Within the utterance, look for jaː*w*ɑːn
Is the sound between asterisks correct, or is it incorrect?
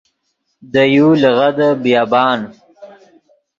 incorrect: b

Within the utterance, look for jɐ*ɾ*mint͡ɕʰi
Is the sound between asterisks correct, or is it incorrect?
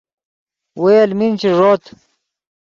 incorrect: l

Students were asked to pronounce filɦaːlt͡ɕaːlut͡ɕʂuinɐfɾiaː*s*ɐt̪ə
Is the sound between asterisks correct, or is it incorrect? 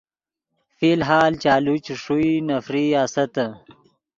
correct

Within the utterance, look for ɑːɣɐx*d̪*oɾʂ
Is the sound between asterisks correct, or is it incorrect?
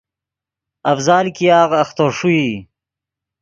incorrect: t̪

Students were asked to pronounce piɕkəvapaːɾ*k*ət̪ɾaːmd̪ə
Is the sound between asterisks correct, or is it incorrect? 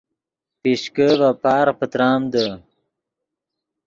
incorrect: p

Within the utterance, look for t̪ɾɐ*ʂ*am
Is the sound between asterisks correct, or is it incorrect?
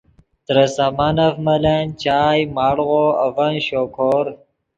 incorrect: s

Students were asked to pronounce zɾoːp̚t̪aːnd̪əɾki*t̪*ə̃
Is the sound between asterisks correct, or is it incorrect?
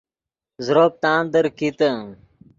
correct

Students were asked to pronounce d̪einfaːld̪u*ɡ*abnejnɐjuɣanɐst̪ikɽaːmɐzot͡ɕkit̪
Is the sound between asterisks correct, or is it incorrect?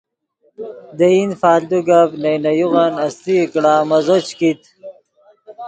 correct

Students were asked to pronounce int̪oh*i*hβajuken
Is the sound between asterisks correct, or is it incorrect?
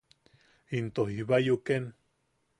correct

